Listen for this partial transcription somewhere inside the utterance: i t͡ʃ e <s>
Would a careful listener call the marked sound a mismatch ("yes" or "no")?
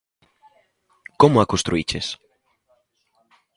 no